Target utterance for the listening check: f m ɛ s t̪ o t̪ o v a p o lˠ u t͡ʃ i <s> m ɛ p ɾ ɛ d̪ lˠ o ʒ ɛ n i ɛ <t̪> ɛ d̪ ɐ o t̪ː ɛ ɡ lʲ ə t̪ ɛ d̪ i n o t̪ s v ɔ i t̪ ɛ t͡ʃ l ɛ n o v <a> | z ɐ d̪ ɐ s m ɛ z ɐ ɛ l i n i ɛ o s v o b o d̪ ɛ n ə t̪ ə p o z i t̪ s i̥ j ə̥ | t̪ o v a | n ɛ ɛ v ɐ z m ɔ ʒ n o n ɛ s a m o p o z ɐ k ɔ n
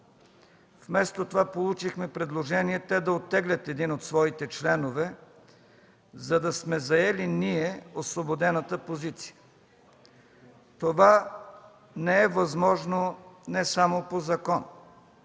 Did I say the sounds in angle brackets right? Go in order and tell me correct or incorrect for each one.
incorrect, correct, incorrect

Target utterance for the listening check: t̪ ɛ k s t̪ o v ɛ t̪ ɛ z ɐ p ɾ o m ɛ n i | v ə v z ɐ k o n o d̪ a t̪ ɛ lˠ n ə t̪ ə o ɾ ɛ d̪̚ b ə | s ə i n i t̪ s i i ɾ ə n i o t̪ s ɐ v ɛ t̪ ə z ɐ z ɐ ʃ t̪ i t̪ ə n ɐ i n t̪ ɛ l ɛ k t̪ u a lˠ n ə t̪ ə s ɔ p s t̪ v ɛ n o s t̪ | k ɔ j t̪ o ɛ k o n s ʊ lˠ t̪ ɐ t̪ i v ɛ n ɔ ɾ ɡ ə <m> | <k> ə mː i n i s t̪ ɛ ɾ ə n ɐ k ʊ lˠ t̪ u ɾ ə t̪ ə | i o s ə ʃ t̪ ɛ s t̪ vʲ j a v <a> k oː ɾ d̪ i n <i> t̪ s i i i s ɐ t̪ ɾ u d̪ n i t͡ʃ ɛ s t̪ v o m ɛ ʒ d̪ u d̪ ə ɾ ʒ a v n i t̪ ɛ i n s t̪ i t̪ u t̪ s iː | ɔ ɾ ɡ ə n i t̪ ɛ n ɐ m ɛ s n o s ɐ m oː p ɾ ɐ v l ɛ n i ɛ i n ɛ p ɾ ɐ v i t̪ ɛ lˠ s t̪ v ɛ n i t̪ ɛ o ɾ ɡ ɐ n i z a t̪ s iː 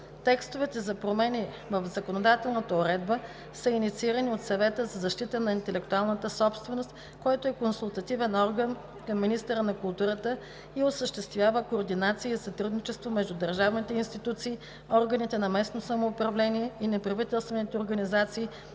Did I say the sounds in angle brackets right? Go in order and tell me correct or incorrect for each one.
incorrect, correct, incorrect, incorrect

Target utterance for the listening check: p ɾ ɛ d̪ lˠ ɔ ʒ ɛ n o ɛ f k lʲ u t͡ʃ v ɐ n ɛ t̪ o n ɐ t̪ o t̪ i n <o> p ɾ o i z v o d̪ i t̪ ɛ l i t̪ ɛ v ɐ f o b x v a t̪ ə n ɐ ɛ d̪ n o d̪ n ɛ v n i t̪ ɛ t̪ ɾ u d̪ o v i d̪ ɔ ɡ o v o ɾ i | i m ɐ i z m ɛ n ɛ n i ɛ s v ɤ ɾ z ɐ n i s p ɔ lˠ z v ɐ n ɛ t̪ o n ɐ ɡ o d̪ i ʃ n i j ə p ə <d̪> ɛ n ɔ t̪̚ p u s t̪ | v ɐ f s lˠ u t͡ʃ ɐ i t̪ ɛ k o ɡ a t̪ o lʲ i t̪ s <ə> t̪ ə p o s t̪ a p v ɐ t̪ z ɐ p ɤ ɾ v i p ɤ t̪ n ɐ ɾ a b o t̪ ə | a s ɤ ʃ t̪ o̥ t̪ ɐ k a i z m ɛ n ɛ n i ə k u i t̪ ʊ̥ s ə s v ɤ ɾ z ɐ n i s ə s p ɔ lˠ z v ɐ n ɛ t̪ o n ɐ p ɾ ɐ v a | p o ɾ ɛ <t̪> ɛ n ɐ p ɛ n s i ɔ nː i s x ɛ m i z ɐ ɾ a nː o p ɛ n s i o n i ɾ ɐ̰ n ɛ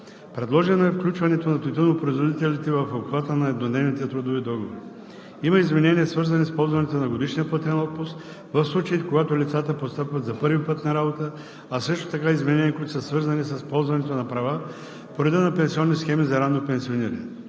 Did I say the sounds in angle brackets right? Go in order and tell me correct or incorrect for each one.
correct, incorrect, incorrect, incorrect

